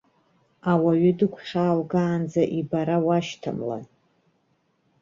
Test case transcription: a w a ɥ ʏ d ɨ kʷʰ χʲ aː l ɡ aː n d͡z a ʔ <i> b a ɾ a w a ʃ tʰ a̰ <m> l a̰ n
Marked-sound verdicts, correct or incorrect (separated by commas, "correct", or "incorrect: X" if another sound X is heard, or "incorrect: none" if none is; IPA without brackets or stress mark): correct, correct